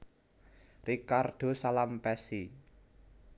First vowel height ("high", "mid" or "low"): high